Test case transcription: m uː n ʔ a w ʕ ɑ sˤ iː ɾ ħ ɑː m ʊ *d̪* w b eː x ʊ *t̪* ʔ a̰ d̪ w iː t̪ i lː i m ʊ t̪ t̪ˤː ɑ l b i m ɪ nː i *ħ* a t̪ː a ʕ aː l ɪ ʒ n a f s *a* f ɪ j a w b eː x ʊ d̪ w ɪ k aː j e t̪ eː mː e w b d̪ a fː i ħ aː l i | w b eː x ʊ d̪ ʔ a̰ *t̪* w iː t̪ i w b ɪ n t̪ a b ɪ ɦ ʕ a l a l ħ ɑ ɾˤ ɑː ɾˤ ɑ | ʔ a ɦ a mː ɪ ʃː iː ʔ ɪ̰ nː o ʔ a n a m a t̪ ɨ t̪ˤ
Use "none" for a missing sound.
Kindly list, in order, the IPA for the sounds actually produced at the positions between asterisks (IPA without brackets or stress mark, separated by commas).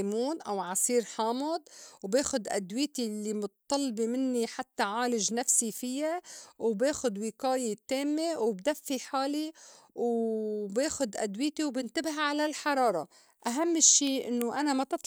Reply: d̪, d̪, ħ, i, d̪